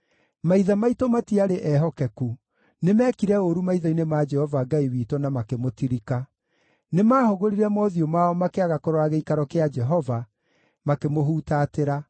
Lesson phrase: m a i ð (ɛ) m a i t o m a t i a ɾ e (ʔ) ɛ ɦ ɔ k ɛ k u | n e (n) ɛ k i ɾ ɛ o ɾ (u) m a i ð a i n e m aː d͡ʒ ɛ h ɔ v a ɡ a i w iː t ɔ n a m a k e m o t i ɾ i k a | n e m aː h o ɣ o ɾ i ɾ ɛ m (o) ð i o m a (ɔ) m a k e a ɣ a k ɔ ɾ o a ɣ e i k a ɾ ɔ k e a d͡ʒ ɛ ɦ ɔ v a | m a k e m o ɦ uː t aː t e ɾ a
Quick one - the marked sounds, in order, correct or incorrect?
incorrect: a, correct, incorrect: m, correct, incorrect: ɔ, correct

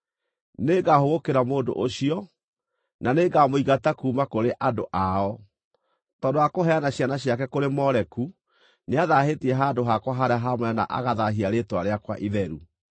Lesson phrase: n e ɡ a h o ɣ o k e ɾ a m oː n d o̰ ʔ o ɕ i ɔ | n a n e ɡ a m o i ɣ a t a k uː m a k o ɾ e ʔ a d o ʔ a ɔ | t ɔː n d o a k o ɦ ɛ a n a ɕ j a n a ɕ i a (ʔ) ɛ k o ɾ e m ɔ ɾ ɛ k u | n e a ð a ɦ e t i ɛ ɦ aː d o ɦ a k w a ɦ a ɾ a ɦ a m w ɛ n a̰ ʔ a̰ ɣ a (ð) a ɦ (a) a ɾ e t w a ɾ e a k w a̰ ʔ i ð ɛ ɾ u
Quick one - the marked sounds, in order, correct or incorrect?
incorrect: k, correct, incorrect: i

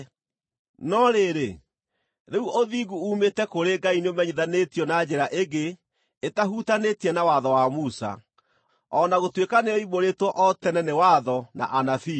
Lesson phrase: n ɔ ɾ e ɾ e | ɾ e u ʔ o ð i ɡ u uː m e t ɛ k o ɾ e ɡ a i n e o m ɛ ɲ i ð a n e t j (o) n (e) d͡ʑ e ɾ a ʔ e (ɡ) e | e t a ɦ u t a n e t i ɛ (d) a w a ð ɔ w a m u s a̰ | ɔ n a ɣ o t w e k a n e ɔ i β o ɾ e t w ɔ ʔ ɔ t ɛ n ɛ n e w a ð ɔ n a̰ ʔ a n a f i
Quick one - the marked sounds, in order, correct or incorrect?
incorrect: ɔ, incorrect: a, correct, incorrect: n

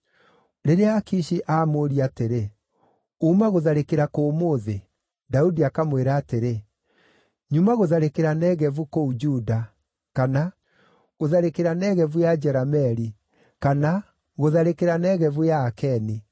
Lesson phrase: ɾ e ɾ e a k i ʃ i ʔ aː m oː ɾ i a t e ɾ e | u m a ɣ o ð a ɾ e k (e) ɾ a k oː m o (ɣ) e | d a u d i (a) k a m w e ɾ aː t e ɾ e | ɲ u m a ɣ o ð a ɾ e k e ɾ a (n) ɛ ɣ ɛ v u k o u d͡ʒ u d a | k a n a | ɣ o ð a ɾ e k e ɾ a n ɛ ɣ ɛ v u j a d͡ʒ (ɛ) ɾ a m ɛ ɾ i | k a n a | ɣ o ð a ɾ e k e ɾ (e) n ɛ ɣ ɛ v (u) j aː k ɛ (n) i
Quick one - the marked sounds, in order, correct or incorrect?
correct, incorrect: ð, correct, correct, correct, incorrect: a, correct, correct

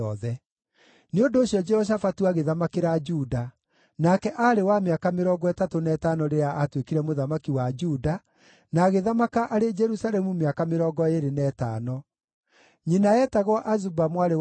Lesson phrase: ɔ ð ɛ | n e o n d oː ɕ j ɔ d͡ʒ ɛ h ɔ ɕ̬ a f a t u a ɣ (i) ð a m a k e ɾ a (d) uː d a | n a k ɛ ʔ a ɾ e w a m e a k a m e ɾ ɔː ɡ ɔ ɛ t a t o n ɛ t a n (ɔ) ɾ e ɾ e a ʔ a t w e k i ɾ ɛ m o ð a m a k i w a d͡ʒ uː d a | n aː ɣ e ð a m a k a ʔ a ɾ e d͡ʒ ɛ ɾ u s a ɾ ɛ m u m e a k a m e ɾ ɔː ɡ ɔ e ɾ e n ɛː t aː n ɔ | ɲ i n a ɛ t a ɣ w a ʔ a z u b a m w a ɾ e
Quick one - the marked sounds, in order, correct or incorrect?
incorrect: e, incorrect: d͡ʒ, correct

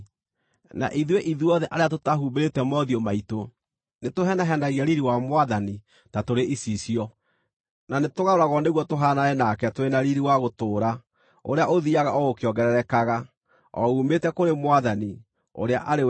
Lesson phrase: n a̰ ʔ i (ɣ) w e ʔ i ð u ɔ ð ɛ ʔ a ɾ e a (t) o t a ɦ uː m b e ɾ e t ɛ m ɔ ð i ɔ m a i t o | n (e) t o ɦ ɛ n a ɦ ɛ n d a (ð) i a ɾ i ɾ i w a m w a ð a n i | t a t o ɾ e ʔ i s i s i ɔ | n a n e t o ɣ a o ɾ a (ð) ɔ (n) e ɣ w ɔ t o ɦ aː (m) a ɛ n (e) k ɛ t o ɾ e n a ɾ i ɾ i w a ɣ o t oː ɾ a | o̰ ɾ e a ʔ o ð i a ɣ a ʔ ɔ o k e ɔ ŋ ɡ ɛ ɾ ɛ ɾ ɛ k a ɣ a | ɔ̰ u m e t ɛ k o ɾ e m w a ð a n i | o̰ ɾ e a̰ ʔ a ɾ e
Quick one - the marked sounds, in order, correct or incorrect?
incorrect: ð, correct, correct, incorrect: ɣ, incorrect: ɣ, correct, incorrect: n, incorrect: a

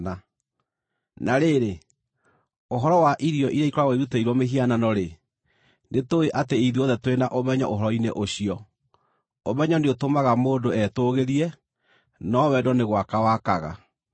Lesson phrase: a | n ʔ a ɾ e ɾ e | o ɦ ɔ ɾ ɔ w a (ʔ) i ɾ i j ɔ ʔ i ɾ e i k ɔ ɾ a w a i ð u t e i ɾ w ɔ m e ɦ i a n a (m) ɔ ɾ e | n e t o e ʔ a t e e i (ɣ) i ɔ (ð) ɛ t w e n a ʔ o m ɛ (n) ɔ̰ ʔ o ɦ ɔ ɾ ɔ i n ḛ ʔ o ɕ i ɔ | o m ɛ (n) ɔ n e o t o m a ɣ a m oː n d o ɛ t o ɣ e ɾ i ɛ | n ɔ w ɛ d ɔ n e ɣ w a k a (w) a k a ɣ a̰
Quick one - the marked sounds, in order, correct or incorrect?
correct, incorrect: n, incorrect: ð, correct, incorrect: ɲ, incorrect: ɲ, correct

